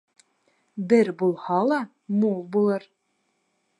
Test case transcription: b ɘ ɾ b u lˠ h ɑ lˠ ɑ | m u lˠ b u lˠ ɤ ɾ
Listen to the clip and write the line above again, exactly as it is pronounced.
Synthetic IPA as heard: b ɘ ɾ b u lˠ h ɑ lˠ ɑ | m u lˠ b u lˠ ɤ ɾ